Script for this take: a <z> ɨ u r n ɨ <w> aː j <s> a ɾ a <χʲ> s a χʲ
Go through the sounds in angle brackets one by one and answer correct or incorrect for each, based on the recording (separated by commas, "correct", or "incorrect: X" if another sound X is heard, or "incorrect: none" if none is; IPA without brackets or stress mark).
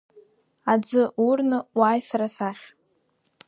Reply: incorrect: d͡z, correct, correct, incorrect: none